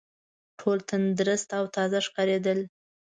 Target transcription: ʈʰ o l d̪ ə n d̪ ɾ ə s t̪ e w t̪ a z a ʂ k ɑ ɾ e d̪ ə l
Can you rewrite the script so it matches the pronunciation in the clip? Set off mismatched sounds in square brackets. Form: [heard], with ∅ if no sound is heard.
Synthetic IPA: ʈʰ o l [t̪] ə n d̪ ɾ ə s t̪ [a] w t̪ [ɑ] z a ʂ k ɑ ɾ e d̪ ə l